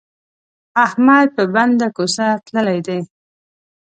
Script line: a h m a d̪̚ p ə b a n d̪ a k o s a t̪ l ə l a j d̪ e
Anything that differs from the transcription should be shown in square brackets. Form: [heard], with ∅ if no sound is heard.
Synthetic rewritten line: a h m a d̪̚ p ə b a n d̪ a k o s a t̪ l ə l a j d̪ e